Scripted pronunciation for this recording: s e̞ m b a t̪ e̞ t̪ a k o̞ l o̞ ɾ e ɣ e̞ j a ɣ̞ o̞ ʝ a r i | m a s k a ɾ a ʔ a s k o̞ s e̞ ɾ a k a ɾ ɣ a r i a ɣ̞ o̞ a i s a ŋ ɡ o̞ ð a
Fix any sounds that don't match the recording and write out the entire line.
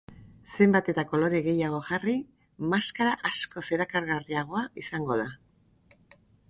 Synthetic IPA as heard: s e̞ m b a t̪ e̞ t̪ a k o̞ l o̞ ɾ e ɣ e̞ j a ɣ̞ o̞ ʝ a r i | m a s k a ɾ a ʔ a s k o̞ s e̞ ɾ a k a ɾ ɣ a r i a ɣ̞ o̞ a i s a ŋ ɡ o̞ ð a